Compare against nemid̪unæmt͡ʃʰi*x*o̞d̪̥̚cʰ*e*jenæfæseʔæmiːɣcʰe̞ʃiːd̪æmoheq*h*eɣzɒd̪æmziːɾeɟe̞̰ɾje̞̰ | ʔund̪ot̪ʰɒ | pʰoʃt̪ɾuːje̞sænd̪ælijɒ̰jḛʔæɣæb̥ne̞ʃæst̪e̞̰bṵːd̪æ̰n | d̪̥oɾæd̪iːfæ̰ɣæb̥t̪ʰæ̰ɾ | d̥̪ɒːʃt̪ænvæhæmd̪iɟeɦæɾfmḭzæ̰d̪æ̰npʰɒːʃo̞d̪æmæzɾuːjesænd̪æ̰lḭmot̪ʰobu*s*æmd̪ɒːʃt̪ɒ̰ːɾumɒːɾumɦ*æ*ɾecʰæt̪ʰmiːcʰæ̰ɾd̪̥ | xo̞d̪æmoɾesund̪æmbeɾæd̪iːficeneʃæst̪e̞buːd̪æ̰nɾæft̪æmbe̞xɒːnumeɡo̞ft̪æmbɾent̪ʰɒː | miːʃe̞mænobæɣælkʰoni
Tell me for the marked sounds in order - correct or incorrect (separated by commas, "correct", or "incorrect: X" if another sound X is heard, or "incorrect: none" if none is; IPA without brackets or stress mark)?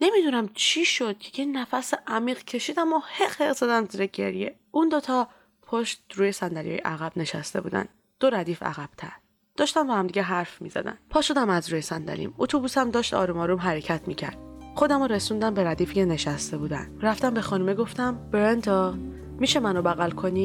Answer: incorrect: ʃ, correct, correct, correct, correct